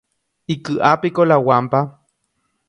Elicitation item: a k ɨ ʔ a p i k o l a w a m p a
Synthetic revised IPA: i k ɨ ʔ a p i k o l a w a m p a